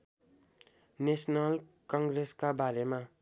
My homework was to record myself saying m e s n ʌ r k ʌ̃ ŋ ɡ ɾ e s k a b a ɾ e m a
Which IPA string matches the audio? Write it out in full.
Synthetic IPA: n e s n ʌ l k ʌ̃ ŋ ɡ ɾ e s k a b a ɾ e m a